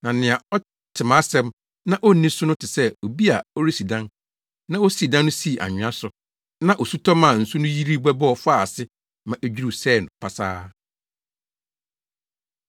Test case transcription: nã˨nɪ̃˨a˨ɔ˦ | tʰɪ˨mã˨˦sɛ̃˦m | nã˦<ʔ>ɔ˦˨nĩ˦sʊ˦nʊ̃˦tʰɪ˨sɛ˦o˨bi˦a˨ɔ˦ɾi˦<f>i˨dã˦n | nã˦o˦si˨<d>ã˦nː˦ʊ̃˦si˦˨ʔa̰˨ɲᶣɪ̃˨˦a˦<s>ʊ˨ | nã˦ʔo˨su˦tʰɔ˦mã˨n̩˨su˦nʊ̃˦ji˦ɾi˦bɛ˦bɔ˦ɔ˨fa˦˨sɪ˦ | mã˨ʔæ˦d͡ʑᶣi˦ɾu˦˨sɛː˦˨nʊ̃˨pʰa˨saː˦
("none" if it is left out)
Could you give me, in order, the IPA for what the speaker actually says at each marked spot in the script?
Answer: ʔ, s, d, s

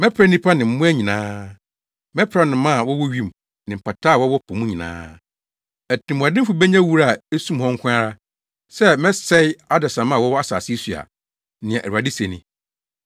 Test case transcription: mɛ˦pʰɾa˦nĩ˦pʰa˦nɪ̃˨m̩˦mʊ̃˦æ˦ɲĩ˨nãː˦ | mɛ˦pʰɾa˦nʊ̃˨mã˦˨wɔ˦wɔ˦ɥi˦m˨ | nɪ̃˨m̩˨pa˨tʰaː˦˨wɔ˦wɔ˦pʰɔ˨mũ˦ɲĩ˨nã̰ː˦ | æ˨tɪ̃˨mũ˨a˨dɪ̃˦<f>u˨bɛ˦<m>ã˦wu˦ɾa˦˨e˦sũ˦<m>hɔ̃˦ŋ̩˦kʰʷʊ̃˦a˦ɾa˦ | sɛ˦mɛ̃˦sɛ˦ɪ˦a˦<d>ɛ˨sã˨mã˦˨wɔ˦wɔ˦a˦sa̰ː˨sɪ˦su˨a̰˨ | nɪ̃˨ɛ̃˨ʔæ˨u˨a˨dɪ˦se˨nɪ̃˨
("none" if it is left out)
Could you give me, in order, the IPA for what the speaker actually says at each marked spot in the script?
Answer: f, ɲ, m, d

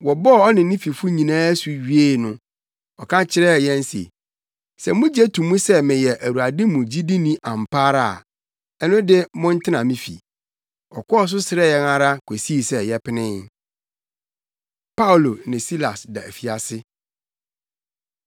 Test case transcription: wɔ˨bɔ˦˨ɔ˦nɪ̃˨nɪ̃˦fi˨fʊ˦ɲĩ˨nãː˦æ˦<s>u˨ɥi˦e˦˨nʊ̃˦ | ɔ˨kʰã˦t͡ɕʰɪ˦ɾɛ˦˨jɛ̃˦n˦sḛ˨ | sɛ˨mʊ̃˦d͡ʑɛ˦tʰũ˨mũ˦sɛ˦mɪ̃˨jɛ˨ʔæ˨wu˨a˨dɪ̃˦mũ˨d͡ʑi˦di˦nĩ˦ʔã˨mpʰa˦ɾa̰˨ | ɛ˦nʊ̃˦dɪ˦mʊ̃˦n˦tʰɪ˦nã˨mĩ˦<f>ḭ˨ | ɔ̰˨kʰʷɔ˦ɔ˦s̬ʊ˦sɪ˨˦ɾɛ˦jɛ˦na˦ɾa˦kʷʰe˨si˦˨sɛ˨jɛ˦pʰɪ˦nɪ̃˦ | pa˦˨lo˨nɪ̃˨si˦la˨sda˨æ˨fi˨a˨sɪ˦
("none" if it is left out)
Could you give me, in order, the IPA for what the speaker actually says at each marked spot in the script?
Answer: s, f

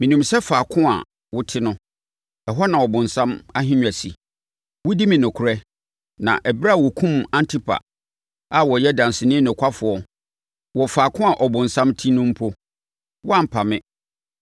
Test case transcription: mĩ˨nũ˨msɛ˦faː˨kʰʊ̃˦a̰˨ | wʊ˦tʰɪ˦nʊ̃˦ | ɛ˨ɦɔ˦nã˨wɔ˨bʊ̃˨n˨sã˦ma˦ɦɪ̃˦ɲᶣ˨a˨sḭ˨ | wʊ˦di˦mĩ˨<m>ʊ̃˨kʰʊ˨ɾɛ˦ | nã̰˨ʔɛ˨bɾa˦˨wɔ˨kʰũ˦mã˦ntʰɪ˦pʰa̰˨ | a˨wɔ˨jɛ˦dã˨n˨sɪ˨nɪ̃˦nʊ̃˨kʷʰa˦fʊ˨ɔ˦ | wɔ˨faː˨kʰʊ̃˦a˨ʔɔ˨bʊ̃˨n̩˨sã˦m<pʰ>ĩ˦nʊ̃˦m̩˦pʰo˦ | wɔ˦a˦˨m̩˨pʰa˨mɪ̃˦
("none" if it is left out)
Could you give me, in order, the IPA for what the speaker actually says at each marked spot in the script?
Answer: n, tʰ

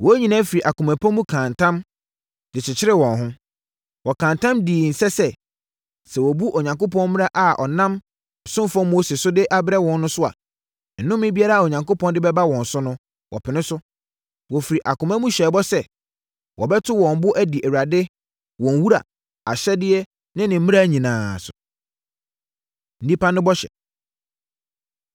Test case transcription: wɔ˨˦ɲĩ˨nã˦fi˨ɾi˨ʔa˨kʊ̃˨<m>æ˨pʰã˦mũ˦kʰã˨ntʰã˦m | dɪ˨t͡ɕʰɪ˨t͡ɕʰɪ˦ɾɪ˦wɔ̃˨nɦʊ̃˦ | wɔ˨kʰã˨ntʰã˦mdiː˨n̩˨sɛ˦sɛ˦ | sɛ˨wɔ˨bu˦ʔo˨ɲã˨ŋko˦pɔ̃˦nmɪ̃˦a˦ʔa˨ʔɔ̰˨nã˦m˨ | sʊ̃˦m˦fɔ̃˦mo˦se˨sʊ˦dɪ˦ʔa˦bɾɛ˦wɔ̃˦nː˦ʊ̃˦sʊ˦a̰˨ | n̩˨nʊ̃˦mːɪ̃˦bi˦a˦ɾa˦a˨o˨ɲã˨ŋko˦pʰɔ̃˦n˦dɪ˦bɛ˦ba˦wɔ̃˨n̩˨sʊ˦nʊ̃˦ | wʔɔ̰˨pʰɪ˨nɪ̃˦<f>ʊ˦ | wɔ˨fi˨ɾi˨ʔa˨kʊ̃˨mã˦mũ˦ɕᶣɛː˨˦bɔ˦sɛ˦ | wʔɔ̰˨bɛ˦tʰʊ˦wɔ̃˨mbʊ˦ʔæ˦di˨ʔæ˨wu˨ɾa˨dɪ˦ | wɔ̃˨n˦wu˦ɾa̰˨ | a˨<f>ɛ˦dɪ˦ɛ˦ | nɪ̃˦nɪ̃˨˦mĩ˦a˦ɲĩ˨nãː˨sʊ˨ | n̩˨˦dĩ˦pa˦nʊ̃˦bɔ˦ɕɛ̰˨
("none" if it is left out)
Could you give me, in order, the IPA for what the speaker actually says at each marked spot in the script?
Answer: m, s, ɕ

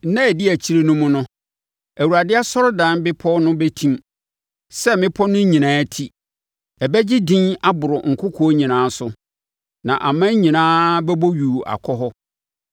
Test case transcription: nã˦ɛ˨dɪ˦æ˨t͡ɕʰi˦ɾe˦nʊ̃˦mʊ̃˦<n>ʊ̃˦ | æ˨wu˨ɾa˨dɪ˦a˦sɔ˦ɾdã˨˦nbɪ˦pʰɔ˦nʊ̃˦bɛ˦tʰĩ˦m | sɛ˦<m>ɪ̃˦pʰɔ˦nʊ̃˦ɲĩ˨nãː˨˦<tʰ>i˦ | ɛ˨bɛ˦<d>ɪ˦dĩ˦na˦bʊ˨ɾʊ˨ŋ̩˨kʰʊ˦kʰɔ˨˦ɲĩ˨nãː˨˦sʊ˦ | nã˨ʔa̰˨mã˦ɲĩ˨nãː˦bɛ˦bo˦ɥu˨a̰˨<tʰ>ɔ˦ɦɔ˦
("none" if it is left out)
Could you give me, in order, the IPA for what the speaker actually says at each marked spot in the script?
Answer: n, m, tʰ, d͡ʑ, kʰ

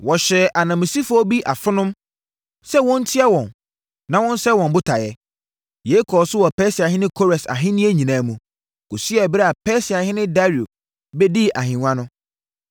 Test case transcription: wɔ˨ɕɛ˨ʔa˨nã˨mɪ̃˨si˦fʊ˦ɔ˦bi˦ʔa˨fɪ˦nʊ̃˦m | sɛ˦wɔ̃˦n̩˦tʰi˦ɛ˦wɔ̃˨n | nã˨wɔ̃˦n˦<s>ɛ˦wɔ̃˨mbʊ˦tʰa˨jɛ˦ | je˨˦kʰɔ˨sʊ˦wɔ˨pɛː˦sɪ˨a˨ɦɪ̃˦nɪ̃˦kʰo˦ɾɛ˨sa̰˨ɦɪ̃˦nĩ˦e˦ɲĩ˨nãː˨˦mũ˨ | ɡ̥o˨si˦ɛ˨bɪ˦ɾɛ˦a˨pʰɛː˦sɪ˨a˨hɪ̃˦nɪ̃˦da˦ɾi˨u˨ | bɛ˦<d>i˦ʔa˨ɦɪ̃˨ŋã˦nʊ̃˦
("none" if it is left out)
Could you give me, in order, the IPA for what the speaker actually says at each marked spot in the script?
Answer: s, d

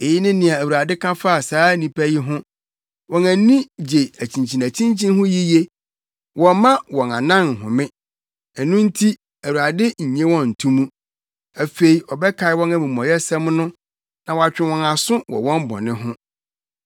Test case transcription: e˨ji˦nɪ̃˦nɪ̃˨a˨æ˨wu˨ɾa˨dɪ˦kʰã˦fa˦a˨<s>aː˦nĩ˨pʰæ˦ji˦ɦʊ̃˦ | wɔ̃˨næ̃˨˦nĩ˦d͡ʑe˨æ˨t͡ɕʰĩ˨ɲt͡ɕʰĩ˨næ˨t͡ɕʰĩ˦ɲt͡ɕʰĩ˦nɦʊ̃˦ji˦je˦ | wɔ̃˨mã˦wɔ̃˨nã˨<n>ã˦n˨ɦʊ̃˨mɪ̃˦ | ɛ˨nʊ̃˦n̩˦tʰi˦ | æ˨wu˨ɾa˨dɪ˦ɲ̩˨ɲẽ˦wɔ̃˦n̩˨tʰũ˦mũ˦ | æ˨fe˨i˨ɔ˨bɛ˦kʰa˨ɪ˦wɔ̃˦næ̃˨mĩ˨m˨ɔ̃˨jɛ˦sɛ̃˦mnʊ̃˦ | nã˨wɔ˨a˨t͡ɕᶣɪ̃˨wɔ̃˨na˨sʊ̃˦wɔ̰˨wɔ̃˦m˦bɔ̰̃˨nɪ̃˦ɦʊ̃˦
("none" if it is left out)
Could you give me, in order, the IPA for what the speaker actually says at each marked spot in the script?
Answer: s, n

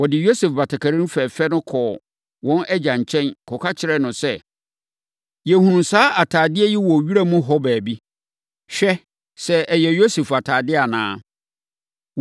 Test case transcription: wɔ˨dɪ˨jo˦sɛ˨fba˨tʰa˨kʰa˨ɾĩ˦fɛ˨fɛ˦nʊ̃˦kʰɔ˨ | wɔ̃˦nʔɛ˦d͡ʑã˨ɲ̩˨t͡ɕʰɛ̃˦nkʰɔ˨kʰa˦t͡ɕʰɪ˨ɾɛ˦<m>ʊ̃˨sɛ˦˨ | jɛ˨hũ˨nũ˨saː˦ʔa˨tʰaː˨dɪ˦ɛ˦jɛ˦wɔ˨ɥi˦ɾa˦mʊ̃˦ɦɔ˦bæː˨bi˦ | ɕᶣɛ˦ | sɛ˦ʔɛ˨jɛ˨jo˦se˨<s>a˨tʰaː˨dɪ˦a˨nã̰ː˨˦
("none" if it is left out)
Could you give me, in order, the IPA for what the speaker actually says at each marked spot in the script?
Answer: n, f

